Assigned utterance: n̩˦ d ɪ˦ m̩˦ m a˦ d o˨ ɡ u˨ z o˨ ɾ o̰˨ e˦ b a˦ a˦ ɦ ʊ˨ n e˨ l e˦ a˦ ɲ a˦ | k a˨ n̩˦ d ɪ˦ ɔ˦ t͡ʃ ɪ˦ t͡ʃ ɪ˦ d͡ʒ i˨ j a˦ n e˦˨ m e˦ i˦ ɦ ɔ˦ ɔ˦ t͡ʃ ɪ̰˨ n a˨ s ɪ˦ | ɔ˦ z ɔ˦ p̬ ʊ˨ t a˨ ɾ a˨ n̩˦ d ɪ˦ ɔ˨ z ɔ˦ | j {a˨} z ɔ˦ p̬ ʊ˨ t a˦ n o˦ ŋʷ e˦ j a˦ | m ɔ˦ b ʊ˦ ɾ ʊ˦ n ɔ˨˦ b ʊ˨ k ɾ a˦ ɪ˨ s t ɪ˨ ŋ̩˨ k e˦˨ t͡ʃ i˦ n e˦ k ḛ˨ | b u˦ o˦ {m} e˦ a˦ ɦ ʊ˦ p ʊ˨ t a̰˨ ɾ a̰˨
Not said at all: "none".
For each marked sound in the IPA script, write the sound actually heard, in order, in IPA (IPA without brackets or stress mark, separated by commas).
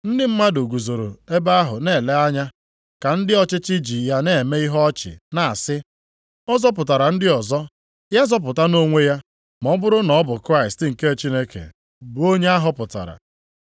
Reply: a˦, ɲ